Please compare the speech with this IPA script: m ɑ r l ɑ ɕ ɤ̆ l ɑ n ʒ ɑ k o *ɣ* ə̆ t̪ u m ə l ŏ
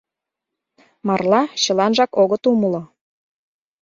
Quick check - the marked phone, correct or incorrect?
correct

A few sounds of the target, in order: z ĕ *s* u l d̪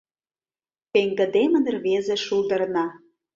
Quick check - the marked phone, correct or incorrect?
incorrect: ʃ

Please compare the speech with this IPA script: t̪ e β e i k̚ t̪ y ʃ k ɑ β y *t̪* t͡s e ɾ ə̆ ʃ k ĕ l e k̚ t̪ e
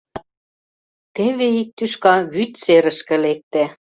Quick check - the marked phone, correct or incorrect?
correct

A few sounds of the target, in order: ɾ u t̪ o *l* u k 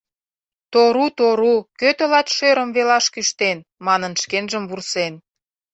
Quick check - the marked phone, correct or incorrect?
incorrect: ɾ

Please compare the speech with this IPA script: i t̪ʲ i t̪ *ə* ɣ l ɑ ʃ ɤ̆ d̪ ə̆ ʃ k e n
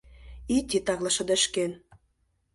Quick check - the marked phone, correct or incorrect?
incorrect: ɑ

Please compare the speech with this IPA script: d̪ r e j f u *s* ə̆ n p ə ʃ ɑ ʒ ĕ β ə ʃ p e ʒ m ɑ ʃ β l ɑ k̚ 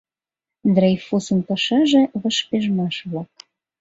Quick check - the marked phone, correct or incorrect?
correct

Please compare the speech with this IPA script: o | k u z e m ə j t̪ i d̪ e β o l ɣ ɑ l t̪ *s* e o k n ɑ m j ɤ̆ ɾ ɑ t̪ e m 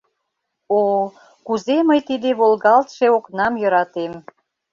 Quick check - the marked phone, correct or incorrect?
incorrect: ʃ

